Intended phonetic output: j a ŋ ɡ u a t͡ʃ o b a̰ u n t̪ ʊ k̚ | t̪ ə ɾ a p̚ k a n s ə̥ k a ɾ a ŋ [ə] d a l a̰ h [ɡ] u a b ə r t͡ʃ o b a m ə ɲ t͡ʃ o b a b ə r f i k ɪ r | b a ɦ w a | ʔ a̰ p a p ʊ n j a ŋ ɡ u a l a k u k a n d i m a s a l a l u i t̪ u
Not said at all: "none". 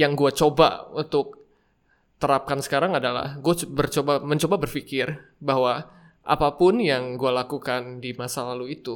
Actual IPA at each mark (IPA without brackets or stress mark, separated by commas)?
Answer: a, ɡ